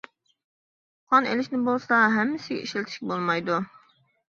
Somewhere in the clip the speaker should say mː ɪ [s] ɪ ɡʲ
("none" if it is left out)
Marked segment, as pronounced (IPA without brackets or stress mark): s